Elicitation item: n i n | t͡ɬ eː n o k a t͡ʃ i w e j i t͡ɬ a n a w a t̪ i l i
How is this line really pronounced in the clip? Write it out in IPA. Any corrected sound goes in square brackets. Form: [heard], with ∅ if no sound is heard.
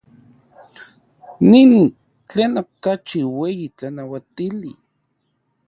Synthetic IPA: n i n | t͡ɬ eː n o k a t͡ʃ i w e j i t͡ɬ a n a w a t̪ i l i